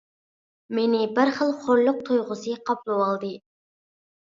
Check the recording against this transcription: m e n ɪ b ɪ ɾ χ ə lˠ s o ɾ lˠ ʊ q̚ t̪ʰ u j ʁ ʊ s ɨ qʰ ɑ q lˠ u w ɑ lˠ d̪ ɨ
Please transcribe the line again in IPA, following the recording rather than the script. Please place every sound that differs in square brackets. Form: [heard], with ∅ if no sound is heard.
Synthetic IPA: m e n ɪ b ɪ ɾ χ ə lˠ [χ] o ɾ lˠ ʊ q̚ t̪ʰ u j ʁ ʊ s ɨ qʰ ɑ [p] lˠ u w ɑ lˠ d̪ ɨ